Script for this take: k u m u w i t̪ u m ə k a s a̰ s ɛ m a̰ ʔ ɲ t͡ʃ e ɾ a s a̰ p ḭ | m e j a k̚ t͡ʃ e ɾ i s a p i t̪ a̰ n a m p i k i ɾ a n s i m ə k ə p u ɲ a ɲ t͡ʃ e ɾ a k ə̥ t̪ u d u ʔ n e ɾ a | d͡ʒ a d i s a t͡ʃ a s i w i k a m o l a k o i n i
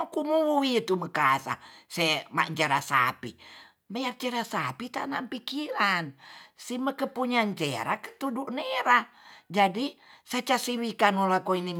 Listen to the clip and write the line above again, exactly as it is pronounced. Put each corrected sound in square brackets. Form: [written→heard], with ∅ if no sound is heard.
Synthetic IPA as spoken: k u m u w i t̪ u m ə k a s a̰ s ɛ m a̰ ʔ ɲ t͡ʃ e ɾ a s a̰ p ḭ | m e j a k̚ t͡ʃ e ɾ [i→a] s a p i t̪ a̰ n a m p i k i ɾ a n s i m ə k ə p u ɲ a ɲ t͡ʃ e ɾ a k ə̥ t̪ u d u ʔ n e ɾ a | d͡ʒ a d i s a t͡ʃ a s i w i k a [m→n] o l a k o i n i

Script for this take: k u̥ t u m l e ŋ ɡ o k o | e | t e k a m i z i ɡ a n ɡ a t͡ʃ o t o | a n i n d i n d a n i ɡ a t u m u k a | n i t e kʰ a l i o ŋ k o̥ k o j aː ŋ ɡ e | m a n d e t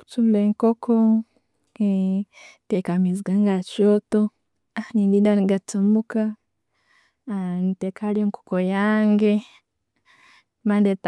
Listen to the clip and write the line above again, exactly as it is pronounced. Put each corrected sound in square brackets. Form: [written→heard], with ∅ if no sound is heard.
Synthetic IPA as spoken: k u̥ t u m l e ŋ [ɡ→k] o k o | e | t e k a m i z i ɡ a [n→ŋ] ɡ a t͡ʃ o t o | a n i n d i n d a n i ɡ a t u m u k a | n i t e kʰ a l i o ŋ k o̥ k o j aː ŋ ɡ e | m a n d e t

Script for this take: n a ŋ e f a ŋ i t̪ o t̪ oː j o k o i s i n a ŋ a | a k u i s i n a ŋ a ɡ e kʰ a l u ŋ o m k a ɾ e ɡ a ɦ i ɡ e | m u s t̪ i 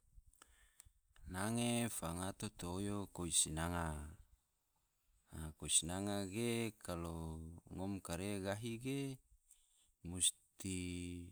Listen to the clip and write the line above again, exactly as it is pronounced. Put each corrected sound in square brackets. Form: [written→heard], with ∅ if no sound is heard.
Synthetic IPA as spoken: n a ŋ e f a ŋ [i→a] t̪ o t̪ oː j o k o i s i n a ŋ a | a k [u→o] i s i n a ŋ a ɡ e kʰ a l [u→o] ŋ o m k a ɾ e ɡ a ɦ i ɡ e | m u s t̪ i

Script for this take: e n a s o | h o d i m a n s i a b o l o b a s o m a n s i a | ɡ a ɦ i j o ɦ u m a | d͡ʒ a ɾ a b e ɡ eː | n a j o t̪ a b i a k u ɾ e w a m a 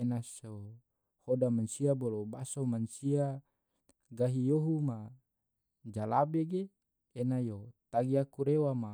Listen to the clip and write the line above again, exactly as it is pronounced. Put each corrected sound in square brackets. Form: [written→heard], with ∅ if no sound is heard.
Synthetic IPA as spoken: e n a s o | h o d [i→a] m a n s i a b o l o b a s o m a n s i a | ɡ a ɦ i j o ɦ u m a | d͡ʒ a [ɾ→l] a b e ɡ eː | n a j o t̪ a [b→ɡ] i a k u ɾ e w a m a

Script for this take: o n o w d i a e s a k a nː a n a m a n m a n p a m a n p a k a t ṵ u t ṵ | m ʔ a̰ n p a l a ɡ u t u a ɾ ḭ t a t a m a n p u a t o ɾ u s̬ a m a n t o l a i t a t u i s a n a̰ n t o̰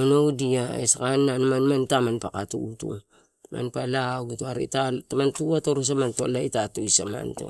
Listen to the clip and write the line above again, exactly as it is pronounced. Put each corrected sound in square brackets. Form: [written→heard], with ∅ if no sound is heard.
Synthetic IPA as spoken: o n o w d i a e s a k a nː a n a m a n m a n [p→t] a m a n p a k a t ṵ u t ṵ | m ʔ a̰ n p a l a ɡ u t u a ɾ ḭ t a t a m a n [p→t] u a t o ɾ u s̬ a m a n t o l a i t a t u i s a [n→m] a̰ n t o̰

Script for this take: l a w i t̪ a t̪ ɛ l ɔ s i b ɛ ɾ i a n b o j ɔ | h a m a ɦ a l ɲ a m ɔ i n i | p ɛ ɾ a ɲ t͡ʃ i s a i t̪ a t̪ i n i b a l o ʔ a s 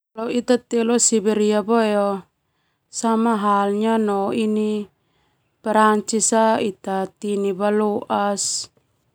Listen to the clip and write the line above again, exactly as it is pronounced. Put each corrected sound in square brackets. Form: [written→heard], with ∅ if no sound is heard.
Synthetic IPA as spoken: l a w i t̪ a t̪ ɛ l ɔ s i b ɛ ɾ i a [n→∅] b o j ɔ | [h→s] a m a ɦ a l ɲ a [m→n] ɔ i n i | p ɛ ɾ a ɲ t͡ʃ i s a i t̪ a t̪ i n i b a l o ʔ a s

